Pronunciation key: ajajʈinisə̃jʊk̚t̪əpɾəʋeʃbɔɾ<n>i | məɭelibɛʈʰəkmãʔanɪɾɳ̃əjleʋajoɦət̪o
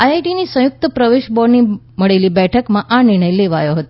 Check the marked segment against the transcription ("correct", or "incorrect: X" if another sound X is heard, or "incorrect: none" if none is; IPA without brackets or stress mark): correct